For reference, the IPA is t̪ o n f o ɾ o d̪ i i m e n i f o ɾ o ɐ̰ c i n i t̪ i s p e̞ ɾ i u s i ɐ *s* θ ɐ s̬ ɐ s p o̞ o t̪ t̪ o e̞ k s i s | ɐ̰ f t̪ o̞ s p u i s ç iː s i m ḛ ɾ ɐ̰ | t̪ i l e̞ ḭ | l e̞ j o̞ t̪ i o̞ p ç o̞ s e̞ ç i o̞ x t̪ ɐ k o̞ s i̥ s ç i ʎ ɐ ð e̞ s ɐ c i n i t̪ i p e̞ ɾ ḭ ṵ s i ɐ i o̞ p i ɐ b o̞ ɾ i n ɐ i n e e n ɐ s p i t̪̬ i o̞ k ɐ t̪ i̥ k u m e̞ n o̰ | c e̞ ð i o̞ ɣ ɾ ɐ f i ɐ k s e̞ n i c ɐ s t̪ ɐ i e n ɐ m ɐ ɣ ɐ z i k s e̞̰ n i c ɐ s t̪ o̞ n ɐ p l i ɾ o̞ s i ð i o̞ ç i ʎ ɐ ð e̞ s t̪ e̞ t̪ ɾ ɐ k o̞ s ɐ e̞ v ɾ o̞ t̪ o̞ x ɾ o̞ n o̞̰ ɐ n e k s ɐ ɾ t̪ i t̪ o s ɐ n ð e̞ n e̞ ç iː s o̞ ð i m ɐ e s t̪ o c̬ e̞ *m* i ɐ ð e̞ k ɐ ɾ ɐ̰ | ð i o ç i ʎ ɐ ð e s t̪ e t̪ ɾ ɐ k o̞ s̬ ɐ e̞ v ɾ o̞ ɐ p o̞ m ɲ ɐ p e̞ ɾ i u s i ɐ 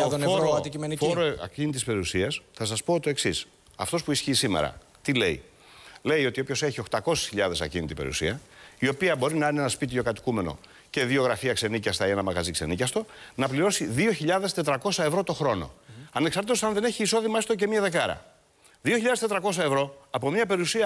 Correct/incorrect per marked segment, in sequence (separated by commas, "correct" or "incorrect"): correct, correct